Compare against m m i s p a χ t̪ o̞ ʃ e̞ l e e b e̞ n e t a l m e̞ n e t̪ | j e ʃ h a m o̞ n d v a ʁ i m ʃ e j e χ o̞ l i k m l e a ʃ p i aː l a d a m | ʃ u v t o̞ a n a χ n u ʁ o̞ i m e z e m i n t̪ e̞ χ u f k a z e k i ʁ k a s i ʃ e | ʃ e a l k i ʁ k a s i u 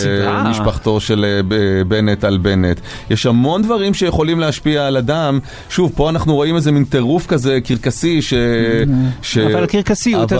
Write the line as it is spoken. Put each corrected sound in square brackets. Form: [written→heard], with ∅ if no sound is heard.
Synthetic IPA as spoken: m m i [s→ʃ] p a χ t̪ o̞ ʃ e̞ l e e b e̞ n e t a l [m→b] e̞ n e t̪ | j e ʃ h a m o̞ n d v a ʁ i m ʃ e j e χ o̞ l i [k→∅] m l e a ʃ p i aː l a d a m | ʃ u v [t→p] o̞ a n a χ n u ʁ o̞ i m e z e m i n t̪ e̞ [χ→ʁ] u f k a z e k i ʁ k a s i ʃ e | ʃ e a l k i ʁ k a s i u